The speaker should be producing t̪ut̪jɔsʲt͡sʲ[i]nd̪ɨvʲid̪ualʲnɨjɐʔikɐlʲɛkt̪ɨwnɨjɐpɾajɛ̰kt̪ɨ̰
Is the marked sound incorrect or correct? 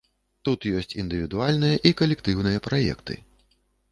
correct